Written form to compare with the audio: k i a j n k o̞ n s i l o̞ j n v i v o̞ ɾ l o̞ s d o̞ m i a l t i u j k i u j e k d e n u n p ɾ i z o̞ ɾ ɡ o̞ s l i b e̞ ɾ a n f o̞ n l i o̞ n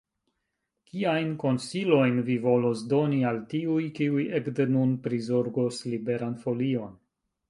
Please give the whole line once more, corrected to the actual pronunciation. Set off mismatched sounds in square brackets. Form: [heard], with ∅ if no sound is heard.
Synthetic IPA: k i a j n k o̞ n s i l o̞ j n v i v o̞ [∅] l o̞ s d o̞ [n] i a l t i u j k i u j e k d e n u n p ɾ i z o̞ ɾ ɡ o̞ s l i b e̞ ɾ a n f o̞ [∅] l i o̞ n